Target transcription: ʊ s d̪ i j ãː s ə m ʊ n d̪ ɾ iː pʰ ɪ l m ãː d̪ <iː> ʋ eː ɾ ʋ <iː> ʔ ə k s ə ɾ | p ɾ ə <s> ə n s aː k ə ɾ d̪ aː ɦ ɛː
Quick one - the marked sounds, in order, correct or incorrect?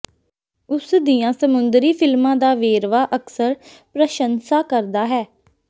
incorrect, incorrect, incorrect

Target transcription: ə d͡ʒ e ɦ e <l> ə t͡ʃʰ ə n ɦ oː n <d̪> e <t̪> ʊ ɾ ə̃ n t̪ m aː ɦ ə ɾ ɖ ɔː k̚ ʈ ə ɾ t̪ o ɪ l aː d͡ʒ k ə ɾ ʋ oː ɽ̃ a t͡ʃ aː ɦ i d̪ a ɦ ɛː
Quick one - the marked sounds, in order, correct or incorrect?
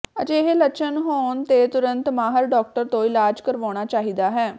correct, incorrect, correct

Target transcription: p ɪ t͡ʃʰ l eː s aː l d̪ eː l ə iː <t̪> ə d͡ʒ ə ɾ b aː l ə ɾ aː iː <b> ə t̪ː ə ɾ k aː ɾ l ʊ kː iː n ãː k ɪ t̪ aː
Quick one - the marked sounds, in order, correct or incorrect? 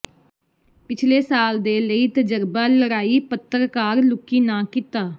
correct, incorrect

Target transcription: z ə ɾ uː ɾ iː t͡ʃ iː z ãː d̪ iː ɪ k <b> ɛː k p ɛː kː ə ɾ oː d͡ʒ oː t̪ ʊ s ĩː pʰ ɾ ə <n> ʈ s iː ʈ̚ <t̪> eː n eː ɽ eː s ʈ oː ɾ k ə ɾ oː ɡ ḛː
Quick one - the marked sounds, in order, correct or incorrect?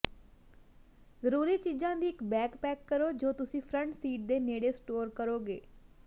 correct, incorrect, incorrect

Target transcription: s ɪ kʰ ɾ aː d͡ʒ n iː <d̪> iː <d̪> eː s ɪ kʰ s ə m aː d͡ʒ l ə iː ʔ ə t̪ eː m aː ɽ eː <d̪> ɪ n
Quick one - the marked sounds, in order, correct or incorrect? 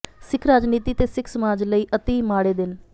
incorrect, incorrect, correct

